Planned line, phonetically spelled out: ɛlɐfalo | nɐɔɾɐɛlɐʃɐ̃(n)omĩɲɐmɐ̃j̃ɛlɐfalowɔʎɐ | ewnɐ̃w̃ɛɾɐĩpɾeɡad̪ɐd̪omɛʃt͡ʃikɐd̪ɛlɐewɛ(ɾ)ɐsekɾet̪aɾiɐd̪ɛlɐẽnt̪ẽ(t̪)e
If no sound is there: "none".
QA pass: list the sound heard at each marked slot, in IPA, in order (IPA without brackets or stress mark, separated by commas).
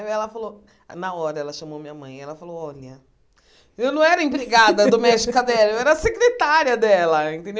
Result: m, ɾ, d̪